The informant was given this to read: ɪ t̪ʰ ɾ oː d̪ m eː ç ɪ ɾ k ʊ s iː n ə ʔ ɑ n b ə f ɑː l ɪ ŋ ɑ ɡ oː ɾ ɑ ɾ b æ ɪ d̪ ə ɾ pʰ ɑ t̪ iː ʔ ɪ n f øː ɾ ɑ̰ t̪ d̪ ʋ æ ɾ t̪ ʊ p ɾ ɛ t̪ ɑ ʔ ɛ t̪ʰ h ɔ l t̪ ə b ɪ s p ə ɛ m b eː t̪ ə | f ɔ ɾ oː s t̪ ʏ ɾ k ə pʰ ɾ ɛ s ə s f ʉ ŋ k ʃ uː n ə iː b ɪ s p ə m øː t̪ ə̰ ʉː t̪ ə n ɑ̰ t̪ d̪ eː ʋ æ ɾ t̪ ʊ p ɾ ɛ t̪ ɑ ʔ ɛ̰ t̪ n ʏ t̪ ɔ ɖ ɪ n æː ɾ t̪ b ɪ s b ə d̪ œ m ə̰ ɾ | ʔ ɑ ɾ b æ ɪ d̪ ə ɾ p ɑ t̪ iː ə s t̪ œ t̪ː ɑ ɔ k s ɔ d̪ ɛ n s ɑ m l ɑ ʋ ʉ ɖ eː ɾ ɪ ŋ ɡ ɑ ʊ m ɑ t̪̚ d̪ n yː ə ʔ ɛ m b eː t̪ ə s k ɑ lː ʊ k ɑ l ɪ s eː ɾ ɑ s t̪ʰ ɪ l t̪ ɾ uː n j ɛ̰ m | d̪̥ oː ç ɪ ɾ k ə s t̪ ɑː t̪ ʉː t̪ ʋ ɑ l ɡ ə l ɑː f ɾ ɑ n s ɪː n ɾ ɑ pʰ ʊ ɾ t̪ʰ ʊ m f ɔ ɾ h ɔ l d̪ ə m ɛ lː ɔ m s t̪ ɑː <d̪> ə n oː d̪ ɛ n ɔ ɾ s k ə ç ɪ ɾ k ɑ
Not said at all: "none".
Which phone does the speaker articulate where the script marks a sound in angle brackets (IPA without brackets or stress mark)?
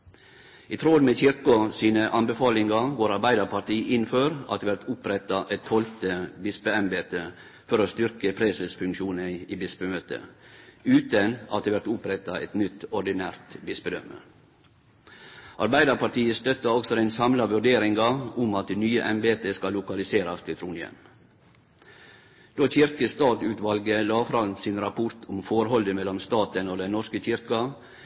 t̪